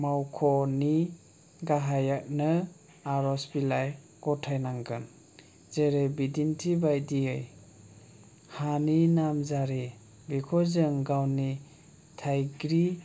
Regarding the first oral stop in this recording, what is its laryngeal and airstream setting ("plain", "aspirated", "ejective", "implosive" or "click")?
aspirated